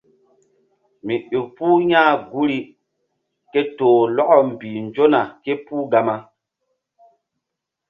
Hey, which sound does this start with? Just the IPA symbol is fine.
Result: m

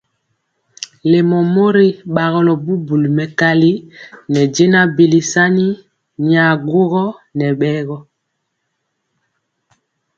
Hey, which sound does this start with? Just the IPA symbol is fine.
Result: l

